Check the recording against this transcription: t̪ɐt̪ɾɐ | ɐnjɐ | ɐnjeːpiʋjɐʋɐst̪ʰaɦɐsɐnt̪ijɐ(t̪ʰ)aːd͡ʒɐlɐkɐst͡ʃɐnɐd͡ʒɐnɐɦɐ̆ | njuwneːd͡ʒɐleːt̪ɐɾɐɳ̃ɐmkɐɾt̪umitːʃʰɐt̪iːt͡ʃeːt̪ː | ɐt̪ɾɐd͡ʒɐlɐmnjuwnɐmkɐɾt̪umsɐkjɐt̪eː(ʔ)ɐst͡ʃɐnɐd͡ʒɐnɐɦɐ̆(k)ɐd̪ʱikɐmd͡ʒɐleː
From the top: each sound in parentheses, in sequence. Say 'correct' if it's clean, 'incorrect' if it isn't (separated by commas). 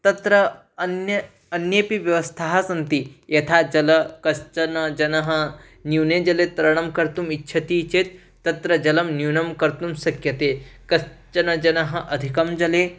correct, incorrect, incorrect